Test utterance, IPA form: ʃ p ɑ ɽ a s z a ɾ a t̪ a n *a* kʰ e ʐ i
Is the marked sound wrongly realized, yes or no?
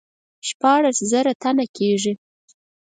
no